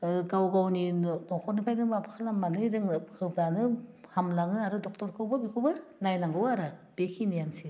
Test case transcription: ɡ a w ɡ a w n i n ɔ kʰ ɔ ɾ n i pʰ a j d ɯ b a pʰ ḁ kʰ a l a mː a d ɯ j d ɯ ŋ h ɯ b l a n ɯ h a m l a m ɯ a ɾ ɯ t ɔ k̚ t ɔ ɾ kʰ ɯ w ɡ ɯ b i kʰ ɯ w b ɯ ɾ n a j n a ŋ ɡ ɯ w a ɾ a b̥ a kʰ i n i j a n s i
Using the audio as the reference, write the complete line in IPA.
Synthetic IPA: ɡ a w ɡ a w n i n ɔ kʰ ɔ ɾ n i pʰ a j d ɯ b a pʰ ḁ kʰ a l a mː a n ɯ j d ɯ ŋ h ɯ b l a n ɯ h a m l a ŋ ɯ a ɾ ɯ d ɔ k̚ t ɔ ɾ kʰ ɯ w b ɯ b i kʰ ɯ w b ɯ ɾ n a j n a ŋ ɡ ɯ w a ɾ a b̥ e kʰ i n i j a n s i